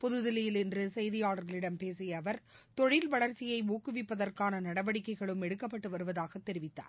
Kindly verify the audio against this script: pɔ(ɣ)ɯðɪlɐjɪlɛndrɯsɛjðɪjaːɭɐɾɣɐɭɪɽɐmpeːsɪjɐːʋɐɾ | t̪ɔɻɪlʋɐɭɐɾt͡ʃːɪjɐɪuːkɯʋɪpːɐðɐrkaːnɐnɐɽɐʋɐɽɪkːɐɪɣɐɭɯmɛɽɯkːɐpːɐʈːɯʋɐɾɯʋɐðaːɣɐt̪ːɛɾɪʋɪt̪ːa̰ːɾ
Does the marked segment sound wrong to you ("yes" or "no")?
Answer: yes